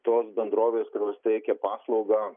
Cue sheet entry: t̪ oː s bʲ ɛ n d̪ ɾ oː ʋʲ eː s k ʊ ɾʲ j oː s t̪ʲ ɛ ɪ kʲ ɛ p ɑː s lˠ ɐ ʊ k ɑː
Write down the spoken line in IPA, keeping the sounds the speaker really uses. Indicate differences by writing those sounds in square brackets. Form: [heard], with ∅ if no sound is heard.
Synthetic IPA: t̪ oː s bʲ ɛ n d̪ ɾ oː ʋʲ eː s k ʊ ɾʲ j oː s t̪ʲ ɛ ɪ kʲ ɛ p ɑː s lˠ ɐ ʊ [ɡ] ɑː